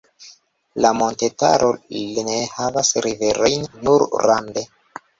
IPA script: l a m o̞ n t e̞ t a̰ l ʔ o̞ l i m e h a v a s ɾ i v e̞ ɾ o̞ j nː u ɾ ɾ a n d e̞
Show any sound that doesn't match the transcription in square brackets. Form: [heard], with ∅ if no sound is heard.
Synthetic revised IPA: l a m o̞ n t e̞ t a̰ [ɾ] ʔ o̞ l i [n] e h a v a s ɾ i v e̞ ɾ o̞ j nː u ɾ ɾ a n d e̞